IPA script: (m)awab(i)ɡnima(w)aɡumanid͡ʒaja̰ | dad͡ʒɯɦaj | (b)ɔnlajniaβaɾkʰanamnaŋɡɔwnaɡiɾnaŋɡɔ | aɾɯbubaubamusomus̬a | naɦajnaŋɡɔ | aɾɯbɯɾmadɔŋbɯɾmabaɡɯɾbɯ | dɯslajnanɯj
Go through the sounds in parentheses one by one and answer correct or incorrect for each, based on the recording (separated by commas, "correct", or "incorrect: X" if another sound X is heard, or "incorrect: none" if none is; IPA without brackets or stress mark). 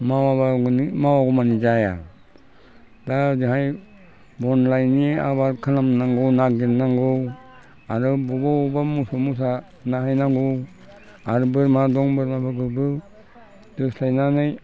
correct, incorrect: a, correct, correct